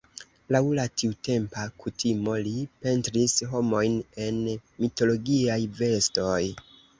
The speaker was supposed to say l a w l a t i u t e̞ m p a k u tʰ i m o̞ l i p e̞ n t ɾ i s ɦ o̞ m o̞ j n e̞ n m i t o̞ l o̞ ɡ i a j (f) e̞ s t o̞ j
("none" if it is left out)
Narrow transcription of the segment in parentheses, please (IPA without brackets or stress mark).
v